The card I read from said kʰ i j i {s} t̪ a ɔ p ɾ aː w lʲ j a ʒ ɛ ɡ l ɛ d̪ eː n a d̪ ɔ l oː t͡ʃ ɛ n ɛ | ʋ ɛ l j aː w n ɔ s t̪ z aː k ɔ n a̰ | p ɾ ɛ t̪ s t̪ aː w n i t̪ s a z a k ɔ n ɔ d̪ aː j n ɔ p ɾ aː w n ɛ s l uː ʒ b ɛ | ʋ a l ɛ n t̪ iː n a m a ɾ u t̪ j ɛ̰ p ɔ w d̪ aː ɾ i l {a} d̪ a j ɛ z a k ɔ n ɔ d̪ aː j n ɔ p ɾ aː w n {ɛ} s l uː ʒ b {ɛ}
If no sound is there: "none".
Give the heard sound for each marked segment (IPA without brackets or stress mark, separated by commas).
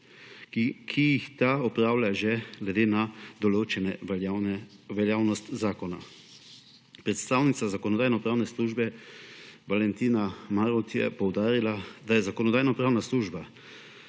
x, a, a, a